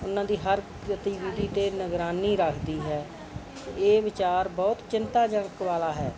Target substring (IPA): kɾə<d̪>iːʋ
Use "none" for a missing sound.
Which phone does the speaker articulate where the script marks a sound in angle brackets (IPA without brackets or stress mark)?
t̪